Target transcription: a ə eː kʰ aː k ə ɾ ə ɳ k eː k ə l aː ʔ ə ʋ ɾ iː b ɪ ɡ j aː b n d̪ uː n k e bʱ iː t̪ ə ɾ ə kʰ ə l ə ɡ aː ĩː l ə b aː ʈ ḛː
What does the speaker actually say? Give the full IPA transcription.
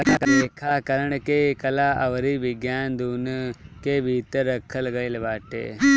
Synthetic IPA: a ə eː kʰ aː k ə ɾ ə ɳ k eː k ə l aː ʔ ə ʋ ɾ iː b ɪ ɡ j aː n d̪ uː n k e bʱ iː t̪ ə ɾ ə kʰ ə l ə ɡ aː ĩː l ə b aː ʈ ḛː